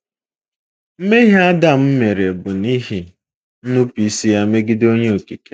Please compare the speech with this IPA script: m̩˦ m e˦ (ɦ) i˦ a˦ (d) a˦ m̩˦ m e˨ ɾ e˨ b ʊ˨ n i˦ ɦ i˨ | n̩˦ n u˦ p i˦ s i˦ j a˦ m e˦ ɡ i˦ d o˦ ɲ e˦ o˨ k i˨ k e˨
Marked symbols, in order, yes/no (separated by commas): yes, yes